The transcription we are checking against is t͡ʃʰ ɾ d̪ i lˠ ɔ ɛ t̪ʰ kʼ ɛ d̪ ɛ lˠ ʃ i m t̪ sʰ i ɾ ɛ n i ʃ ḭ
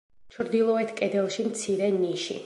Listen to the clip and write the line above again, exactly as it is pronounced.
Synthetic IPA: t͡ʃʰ ɾ d̪ i lˠ ɔ ɛ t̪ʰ kʼ ɛ d̪ ɛ lˠ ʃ i m t̪ sʰ i ɾ ɛ n i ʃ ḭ